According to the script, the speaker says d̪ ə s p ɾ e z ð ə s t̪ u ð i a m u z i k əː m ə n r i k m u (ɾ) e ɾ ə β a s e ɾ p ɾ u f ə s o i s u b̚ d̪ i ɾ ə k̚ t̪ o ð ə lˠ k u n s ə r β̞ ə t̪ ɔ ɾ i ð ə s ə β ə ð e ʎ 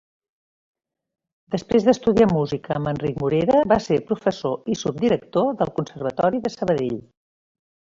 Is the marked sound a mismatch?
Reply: no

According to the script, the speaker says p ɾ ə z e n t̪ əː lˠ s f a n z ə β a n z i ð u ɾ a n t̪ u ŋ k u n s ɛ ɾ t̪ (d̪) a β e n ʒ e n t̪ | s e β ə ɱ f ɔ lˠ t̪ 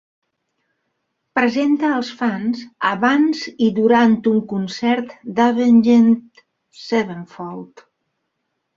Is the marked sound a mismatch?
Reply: no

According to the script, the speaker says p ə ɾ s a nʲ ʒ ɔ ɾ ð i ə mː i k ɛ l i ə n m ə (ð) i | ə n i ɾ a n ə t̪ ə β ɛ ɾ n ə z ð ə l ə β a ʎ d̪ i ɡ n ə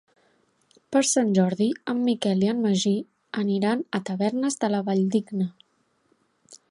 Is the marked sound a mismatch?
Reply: yes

